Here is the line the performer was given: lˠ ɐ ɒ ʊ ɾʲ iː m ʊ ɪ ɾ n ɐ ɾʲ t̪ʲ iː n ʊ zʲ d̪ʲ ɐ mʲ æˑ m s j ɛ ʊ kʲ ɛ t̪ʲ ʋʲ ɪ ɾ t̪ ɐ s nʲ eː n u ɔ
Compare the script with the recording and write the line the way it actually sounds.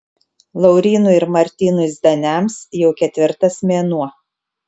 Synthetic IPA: lˠ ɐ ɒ ʊ ɾʲ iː n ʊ ɪ ɾ m ɐ ɾʲ t̪ʲ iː n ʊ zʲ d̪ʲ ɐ nʲ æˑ m s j ɛ ʊ kʲ ɛ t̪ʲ ʋʲ ɪ ɾ t̪ ɐ s mʲ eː n u ɔ